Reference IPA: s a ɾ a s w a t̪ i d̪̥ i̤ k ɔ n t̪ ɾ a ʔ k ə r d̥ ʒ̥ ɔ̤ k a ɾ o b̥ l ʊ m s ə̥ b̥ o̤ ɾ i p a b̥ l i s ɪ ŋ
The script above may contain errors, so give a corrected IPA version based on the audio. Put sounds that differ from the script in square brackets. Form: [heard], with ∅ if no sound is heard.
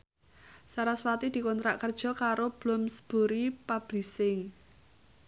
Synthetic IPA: s a ɾ a s w a t̪ i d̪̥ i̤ k ɔ n t̪ ɾ a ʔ k ə r d̥ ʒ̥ ɔ̤ k a ɾ o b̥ l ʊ m s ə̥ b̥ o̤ ɾ i p a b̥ l i s ɪ ŋ